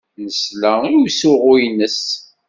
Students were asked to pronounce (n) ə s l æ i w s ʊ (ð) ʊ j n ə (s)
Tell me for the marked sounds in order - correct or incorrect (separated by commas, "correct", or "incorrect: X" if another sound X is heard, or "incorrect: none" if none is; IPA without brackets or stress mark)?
correct, incorrect: ʁ, correct